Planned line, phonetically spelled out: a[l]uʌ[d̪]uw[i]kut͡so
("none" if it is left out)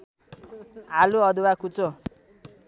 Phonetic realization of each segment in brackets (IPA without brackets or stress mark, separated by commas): l, d̪, a